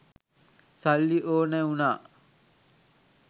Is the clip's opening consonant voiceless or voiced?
voiceless